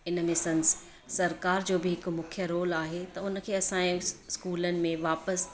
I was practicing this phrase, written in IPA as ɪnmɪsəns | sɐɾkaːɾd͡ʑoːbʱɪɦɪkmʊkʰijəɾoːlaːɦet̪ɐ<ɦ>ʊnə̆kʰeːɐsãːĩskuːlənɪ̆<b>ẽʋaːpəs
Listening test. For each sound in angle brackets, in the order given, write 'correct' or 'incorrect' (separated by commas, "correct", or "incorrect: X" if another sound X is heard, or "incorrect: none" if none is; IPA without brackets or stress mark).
incorrect: none, incorrect: m